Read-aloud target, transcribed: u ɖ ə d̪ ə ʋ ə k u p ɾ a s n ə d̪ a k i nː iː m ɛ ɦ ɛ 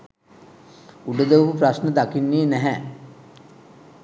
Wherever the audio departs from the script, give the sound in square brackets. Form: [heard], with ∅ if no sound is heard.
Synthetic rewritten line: u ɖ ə d̪ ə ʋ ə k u p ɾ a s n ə d̪ a k i nː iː [n] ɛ ɦ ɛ